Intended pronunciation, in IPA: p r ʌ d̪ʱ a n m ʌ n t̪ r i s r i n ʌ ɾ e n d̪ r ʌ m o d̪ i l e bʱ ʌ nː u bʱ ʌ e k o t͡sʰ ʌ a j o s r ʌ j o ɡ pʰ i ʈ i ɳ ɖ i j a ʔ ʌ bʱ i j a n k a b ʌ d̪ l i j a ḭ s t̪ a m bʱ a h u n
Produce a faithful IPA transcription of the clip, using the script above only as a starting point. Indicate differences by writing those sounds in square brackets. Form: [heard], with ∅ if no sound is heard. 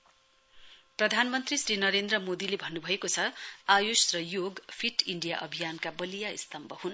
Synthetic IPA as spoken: p r ʌ d̪ʱ a n m ʌ n t̪ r i s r i n ʌ ɾ e n d̪ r ʌ m o d̪ i l e bʱ ʌ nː u bʱ ʌ e k o t͡sʰ ʌ a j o s r ʌ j o ɡ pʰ i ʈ i ɳ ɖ i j a ʔ ʌ bʱ i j a n k a b ʌ [∅] l i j a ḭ s t̪ [ʌ] m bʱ [ʌ] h u n